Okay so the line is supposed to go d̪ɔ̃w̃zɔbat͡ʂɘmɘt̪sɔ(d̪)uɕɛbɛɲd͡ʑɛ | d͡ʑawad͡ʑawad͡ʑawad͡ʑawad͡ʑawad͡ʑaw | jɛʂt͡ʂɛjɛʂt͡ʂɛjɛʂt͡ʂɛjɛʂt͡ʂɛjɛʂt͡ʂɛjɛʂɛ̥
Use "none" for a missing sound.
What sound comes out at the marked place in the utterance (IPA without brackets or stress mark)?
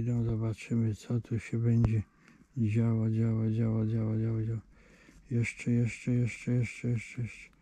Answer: t̪